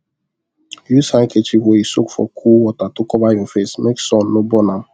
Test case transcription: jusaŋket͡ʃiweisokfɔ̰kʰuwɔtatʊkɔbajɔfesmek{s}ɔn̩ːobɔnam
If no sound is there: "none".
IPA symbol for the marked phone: s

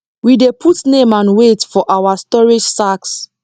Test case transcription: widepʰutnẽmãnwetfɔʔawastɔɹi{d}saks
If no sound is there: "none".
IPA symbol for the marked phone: d͡ʒ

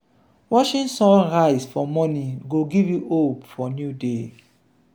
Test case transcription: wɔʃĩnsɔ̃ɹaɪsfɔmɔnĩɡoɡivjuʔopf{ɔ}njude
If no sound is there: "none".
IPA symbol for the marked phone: ɔ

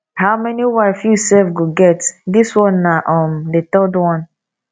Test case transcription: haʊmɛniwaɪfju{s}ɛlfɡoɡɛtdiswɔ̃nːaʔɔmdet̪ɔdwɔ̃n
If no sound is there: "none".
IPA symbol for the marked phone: s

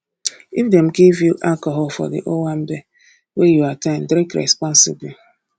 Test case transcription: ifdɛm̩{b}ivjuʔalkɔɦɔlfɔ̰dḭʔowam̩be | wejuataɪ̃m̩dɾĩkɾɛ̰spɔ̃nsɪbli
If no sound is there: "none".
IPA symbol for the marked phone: ɡ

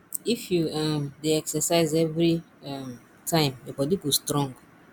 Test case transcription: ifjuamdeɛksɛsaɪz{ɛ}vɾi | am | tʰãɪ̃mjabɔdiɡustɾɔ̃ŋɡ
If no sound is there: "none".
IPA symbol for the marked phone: ɛ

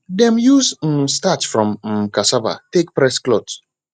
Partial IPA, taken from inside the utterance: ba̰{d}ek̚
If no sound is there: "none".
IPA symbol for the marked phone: t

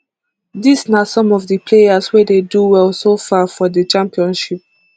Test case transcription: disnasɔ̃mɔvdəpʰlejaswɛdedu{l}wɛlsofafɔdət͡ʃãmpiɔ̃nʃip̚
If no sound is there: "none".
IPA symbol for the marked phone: none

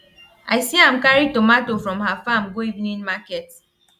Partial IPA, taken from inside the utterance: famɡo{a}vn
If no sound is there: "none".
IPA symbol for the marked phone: i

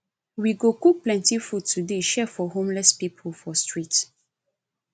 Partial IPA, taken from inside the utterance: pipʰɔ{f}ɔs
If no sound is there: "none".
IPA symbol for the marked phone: f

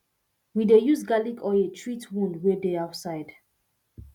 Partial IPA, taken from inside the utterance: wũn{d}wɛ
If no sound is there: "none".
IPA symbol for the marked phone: d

